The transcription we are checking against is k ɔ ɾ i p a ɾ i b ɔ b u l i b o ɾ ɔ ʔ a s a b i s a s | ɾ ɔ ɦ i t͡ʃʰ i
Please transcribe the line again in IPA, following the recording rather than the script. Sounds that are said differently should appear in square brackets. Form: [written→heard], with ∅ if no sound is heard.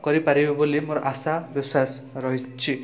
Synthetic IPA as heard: k ɔ ɾ i p a ɾ i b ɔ b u l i [b→m] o ɾ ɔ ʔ a s a b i s a s | ɾ ɔ ɦ i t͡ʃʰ i